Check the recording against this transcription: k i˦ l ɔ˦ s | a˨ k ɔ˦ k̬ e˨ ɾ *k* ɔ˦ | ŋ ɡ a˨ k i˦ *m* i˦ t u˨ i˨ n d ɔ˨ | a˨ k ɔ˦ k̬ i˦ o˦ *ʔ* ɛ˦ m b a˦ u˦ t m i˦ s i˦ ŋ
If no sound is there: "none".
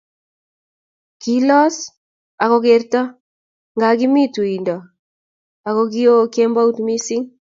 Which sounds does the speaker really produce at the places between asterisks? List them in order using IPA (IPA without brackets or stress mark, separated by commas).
t, m, k